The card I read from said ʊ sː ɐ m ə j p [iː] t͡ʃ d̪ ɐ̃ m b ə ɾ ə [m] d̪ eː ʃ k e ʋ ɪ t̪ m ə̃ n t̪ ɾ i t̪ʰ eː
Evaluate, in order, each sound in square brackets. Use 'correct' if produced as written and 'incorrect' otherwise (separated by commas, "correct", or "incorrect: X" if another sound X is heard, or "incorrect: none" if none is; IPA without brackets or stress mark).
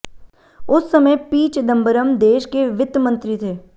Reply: correct, correct